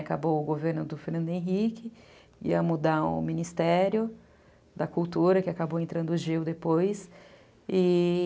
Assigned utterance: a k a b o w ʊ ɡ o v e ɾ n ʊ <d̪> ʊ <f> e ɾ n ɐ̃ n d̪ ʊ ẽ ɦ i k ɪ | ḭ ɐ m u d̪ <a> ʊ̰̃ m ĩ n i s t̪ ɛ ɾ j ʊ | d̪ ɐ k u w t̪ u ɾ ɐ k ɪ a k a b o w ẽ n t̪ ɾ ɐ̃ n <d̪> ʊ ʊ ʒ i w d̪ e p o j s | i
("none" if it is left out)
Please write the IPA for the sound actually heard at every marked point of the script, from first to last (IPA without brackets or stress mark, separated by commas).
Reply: d̪, f, a, d̪